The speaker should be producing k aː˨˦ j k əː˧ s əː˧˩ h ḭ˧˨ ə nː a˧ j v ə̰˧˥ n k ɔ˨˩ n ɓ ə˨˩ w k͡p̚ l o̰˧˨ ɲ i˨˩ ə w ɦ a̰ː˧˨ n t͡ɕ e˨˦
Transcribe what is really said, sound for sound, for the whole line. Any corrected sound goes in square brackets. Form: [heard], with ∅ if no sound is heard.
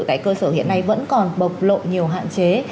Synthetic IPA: k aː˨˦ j k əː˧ s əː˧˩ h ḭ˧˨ ə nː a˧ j v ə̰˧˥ n k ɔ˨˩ n ɓ ə˨˩ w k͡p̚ l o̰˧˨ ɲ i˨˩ ə w ɦ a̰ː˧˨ n t͡ɕ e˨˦